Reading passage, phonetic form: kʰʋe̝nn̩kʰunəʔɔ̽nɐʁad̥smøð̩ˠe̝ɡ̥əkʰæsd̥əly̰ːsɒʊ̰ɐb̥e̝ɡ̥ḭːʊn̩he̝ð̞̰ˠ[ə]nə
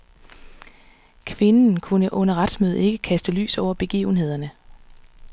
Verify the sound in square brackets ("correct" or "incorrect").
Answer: incorrect